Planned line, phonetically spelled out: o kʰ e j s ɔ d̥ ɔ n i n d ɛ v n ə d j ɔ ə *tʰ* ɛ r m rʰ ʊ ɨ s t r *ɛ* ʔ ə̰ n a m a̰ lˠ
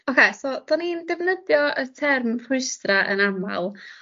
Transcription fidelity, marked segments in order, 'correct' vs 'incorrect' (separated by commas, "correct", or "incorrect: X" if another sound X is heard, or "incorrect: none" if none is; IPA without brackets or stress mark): correct, incorrect: a